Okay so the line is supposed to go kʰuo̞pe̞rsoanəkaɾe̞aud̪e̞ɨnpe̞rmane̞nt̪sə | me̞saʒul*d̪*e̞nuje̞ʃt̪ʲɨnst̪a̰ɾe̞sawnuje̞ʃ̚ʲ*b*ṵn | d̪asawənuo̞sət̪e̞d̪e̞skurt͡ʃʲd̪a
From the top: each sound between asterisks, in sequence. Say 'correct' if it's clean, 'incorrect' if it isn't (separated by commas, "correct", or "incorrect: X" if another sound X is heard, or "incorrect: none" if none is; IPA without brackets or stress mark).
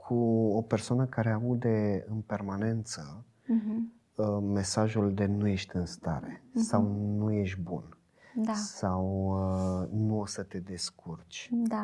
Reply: correct, correct